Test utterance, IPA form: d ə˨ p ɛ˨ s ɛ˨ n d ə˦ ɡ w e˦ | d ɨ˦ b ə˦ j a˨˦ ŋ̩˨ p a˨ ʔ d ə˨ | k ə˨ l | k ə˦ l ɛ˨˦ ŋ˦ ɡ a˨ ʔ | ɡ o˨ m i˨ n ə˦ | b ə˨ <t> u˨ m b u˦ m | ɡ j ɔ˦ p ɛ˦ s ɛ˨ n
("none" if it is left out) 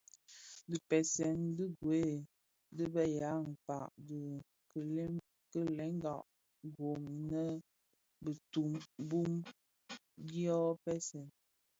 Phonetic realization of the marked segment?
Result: t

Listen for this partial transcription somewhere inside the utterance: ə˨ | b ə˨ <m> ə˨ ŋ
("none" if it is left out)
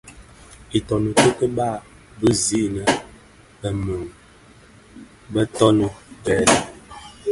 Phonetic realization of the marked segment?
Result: m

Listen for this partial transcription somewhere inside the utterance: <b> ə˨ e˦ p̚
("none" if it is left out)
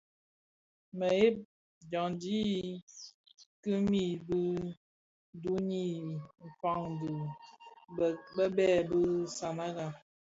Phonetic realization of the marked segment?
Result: m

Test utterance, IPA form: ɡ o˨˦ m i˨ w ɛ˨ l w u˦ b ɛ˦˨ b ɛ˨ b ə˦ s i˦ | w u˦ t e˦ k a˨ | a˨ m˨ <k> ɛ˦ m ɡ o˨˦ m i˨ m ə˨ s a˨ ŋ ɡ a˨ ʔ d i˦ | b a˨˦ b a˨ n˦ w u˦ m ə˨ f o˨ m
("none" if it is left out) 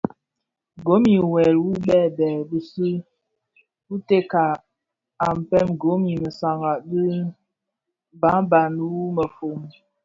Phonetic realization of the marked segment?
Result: p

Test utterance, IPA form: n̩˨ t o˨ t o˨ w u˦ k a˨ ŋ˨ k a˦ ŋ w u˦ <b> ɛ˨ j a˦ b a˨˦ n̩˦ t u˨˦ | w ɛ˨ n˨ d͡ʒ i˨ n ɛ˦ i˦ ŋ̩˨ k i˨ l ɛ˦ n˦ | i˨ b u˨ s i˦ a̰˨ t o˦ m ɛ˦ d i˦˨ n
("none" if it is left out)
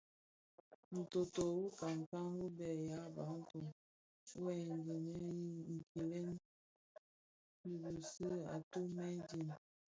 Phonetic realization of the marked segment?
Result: b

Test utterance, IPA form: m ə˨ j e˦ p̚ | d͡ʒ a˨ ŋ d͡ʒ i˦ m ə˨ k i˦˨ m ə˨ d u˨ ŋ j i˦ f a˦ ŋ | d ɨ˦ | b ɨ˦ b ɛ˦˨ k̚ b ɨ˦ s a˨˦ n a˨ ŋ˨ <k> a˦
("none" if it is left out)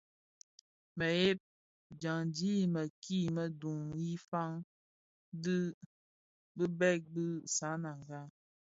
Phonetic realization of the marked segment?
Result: ɡ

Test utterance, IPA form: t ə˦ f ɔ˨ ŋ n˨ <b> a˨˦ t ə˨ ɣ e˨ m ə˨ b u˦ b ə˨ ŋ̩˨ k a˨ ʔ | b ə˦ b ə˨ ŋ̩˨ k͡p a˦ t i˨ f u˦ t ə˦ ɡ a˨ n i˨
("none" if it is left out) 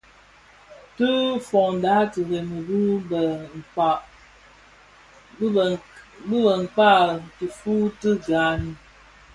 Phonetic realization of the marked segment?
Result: d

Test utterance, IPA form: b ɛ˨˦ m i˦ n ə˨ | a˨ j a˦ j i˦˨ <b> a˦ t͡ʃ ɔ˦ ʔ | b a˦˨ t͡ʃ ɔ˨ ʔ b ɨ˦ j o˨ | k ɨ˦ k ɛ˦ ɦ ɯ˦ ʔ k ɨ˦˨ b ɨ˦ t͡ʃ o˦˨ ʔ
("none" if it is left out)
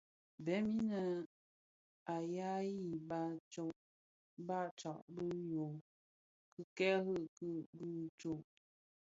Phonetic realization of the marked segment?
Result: b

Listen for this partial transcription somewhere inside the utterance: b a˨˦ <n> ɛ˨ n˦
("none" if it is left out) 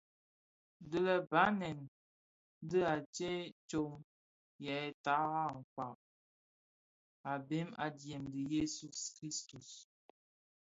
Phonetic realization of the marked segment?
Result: n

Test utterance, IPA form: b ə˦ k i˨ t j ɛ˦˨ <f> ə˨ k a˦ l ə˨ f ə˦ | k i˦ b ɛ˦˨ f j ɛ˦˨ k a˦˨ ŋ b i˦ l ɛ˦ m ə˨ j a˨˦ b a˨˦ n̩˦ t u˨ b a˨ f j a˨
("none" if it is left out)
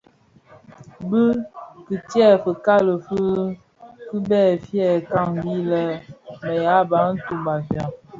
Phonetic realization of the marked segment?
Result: f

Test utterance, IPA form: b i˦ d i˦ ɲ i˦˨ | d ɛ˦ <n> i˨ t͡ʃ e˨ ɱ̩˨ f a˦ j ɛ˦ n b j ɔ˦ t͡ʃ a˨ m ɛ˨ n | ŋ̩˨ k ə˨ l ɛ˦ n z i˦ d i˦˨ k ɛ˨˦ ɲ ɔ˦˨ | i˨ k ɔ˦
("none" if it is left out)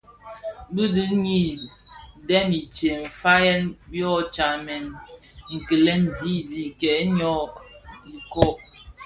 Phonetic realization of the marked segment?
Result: m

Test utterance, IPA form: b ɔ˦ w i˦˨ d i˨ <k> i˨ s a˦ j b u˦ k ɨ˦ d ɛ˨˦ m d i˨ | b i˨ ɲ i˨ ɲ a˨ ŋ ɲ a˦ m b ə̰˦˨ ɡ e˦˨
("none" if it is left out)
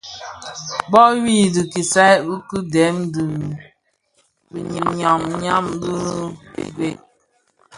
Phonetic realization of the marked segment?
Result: k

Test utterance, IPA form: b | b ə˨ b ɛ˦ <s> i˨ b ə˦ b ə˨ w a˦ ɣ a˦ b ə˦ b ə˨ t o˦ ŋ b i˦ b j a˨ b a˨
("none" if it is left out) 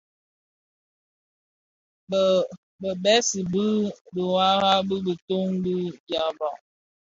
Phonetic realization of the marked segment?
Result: s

